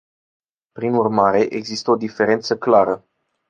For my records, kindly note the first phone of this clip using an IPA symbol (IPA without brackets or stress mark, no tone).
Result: p